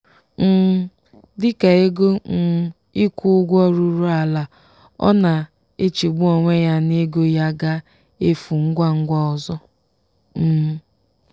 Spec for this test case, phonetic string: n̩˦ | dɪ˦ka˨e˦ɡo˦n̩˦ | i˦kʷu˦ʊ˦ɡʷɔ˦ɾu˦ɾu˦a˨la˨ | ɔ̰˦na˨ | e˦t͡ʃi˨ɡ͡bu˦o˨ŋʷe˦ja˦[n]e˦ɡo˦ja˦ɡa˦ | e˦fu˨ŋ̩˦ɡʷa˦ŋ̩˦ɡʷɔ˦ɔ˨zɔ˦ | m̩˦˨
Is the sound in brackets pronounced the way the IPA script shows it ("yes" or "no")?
yes